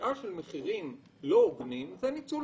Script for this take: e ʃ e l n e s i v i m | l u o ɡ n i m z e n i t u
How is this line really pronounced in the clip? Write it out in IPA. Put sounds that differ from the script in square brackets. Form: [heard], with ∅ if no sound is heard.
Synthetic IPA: [a] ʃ e l [m] e [χ] i [ʁ] i m | l [o] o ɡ n i m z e n i [t͡s] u